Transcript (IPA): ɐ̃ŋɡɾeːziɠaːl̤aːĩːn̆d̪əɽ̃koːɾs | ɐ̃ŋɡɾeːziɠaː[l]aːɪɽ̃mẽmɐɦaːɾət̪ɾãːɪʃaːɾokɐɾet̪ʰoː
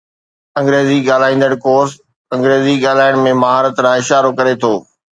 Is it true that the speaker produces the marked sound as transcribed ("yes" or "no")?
yes